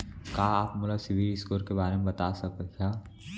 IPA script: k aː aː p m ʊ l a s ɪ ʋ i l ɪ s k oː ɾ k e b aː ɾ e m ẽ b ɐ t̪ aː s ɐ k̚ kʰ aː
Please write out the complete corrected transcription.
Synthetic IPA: k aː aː p m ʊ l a s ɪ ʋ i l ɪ s k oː ɾ k e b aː ɾ e m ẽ b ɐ t̪ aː s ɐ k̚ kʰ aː

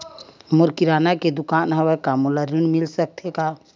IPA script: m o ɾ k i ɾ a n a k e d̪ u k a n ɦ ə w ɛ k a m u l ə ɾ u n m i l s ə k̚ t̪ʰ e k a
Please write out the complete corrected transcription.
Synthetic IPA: m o ɾ k i ɾ a n a k e d̪ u k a n ɦ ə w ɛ k a m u l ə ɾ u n m i l s ə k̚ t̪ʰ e k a

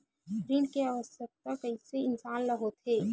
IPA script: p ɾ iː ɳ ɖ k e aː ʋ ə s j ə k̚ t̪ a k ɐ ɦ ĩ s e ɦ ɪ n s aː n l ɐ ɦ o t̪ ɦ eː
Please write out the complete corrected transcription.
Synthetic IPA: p ɾ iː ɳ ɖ k e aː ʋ ə s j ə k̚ t̪ a k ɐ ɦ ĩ s e ɪ n s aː n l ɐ ɦ o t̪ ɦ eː

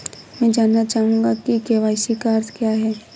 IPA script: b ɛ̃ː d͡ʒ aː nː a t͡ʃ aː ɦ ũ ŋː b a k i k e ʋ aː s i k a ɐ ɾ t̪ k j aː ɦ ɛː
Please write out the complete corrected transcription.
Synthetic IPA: m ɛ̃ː d͡ʒ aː nː a t͡ʃ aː ɦ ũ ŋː ɡ a k i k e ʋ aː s i k a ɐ ɾ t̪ k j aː ɦ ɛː

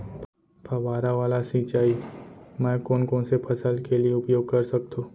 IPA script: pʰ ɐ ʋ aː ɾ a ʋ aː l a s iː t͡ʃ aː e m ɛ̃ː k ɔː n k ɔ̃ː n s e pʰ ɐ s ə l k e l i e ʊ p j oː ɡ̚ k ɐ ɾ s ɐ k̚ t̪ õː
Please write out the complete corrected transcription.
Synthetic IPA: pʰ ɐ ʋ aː ɾ a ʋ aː l a s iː t͡ʃ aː i m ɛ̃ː k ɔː n k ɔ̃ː n s e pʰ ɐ s ə l k e l i e ʊ p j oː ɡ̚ k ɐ ɾ s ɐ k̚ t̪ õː

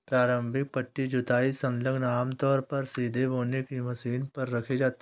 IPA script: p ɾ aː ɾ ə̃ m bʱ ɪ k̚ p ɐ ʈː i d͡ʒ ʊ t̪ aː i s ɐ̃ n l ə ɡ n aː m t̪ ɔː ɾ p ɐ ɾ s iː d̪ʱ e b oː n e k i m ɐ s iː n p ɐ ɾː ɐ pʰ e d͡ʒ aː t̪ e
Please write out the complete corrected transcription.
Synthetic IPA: p ɾ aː ɾ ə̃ m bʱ ɪ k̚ p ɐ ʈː i d͡ʒ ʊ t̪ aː i s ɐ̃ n l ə ɡ n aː m t̪ ɔː ɾ p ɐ ɾ s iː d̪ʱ e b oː n e k i m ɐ s iː n p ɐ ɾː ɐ kʰ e d͡ʒ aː t̪ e

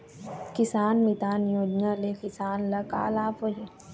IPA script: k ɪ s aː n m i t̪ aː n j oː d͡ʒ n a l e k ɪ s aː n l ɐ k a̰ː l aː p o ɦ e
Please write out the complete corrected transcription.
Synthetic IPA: k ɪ s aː n m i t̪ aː n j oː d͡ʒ n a l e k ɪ s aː n l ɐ k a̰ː l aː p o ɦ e

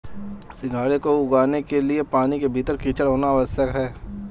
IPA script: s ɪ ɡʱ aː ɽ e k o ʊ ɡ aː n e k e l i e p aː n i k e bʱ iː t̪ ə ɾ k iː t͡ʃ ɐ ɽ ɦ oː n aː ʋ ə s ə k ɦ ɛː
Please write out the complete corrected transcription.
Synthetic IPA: s ɪ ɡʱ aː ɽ e k o ʊ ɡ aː n e k e l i e p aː n i k e bʱ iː t̪ ə ɾ k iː t͡ʃ ə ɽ ɦ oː n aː ʋ ə s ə k ɦ ɛː

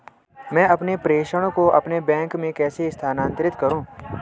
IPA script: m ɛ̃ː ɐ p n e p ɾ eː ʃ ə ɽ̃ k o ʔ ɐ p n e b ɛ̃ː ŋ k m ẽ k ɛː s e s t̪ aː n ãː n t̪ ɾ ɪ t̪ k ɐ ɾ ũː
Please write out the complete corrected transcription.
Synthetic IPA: m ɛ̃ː ɐ p n e p ɾ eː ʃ ə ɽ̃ k o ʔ ɐ p n e b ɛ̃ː ŋ k m ẽ k ɛː s e s t̪ʰ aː n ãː n t̪ ɾ ɪ t̪ k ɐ ɾ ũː

